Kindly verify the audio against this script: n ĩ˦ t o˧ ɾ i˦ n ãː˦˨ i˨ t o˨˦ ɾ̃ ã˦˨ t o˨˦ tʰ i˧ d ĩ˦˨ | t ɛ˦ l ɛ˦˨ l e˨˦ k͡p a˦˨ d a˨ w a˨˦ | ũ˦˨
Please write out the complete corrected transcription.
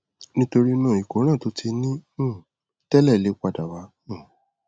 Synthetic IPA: n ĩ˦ t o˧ ɾ i˦ n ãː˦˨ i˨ k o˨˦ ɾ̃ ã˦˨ t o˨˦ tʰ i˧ n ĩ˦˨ | t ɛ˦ l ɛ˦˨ l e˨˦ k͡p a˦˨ d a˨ w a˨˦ | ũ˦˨